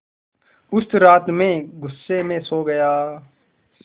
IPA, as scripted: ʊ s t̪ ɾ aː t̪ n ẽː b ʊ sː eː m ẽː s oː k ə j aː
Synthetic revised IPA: ʊ s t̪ ɾ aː t̪ m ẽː ɡ ʊ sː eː m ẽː s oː ɡ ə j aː